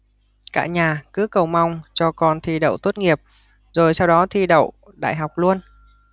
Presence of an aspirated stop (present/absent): present